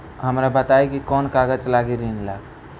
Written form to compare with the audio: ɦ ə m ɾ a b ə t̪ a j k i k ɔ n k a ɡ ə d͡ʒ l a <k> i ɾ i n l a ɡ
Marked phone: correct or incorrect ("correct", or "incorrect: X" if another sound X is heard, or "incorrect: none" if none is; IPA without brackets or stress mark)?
incorrect: ɡ